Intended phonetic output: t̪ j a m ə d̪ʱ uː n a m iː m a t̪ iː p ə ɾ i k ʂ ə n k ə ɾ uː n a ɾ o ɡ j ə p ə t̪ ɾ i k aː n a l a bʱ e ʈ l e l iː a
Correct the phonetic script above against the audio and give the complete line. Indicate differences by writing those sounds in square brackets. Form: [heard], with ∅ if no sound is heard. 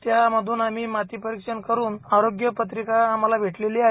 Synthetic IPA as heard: t̪ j a m ə d̪ʱ uː n a m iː m a t̪ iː p ə ɾ i k ʂ ə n k ə ɾ uː n a ɾ o ɡ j ə p ə t̪ ɾ i k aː [m] a l a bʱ e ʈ l e l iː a